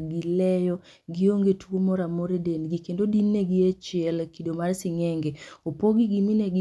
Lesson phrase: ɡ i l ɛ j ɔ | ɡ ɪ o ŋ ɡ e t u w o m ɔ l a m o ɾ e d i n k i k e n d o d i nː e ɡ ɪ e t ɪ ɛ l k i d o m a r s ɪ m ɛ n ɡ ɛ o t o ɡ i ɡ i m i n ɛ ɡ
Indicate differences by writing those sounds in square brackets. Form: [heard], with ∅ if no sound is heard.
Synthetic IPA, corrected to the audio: ɡ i l ɛ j ɔ | ɡ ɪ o ŋ ɡ e t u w o m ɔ [ɾ] a m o ɾ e d [e] n [ɡ] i k e n d o d i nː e ɡ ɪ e [t͡ʃ] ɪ ɛ l k i d o m a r s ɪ [ŋ] ɛ [ŋ] ɡ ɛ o [p] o ɡ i ɡ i m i n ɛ ɡ

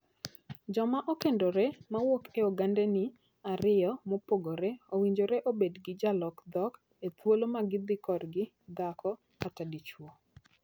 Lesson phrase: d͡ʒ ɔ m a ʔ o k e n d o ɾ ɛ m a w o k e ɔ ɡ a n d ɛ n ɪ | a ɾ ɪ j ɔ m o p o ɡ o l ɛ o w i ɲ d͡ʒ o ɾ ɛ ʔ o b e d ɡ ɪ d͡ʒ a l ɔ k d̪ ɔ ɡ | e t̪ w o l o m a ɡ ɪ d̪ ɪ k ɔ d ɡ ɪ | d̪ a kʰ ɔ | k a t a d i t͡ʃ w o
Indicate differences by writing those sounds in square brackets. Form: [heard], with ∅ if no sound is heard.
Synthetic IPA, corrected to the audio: d͡ʒ ɔ m a ʔ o k e n d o ɾ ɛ m a w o k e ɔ ɡ a n d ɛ n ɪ | a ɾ ɪ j ɔ m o p o ɡ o [ɾ] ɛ o w i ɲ d͡ʒ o ɾ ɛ ʔ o b e d ɡ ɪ d͡ʒ a l ɔ k d̪ ɔ [k] | e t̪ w o l o m a ɡ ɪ d̪ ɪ k ɔ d ɡ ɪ | d̪ a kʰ ɔ | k a t a d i t͡ʃ w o

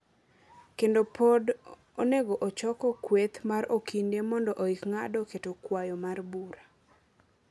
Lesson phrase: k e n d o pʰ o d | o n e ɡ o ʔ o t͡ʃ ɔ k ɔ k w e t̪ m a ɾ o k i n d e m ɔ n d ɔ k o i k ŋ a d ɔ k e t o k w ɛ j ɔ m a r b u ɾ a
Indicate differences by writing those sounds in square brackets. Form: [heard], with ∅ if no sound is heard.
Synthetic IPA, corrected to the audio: k e n d o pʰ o d | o n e ɡ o ʔ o t͡ʃ ɔ k ɔ k w e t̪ m a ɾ o k i n d e m ɔ n d ɔ [ʔ] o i k ŋ a d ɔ k e t o k w [a] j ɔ m a r b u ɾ a

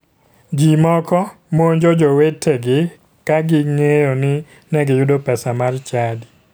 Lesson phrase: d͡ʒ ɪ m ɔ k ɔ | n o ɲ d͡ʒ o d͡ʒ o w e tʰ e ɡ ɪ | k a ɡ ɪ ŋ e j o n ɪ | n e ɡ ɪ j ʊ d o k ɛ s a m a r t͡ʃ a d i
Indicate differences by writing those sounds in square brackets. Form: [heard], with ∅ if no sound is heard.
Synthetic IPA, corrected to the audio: d͡ʒ [i] m ɔ k ɔ | [m] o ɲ d͡ʒ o d͡ʒ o w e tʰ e ɡ ɪ | k a ɡ ɪ ŋ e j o n ɪ | n [ɛ] ɡ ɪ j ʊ d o [p] ɛ s a m a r t͡ʃ a d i

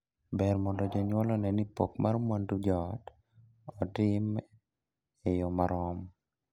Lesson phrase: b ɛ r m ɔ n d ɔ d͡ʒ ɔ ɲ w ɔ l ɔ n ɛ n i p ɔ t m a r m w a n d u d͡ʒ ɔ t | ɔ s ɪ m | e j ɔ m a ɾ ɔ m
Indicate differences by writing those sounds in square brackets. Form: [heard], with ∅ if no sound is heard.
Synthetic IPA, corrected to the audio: b ɛ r m ɔ n d ɔ d͡ʒ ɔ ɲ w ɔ l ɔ n ɛ n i p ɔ [k] m a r m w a n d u d͡ʒ ɔ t | ɔ [t] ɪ m | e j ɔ m a ɾ ɔ m

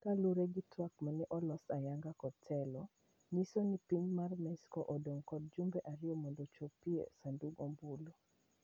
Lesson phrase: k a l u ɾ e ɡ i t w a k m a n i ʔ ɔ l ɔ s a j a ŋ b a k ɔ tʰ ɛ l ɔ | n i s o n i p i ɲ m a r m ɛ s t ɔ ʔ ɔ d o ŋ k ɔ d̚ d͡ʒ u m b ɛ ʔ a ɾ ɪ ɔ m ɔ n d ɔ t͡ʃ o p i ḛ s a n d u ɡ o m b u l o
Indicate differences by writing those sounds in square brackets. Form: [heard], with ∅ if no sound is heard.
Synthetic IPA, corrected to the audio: k a l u ɾ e ɡ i t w a k m a n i ʔ ɔ l ɔ s a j a ŋ [ɡ] a k ɔ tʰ ɛ l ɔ | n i s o n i p i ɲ m a r m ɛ s [k] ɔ ʔ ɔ d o ŋ k ɔ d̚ d͡ʒ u m b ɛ ʔ a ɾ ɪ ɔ m ɔ n d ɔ t͡ʃ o p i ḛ s a n d u ɡ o m b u l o

